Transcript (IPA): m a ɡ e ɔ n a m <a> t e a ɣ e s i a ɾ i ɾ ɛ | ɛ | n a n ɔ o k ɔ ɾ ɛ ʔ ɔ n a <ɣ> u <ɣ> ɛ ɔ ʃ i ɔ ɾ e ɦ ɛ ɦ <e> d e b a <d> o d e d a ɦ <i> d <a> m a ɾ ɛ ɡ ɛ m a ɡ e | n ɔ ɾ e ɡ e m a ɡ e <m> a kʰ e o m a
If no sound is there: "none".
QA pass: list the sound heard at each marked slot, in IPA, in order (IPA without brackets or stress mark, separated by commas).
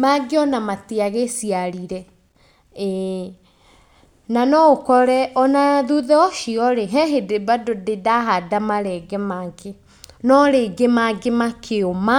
a, ð, ð, e, d, a, a, m